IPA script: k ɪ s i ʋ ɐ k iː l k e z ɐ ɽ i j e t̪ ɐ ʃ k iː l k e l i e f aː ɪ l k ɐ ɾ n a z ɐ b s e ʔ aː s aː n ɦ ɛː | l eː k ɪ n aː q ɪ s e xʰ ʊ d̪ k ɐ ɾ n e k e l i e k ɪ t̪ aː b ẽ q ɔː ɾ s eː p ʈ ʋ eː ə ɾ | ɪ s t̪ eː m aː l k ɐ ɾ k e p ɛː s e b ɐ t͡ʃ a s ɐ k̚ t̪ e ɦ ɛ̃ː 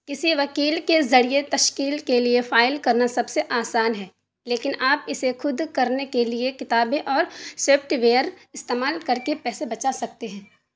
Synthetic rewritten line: k ɪ s i ʋ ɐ k iː l k e z ɐ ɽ i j e t̪ ɐ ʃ k iː l k e l i e f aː ɪ l k ɐ ɾ n a s ɐ b s e ʔ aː s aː n ɦ ɛː | l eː k ɪ n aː p ɪ s e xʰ ʊ d̪ k ɐ ɾ n e k e l i e k ɪ t̪ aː b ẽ ʔ ɔː ɾ s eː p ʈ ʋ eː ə ɾ | ɪ s t̪ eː m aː l k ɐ ɾ k e p ɛː s e b ɐ t͡ʃ a s ɐ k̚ t̪ e ɦ ɛ̃ː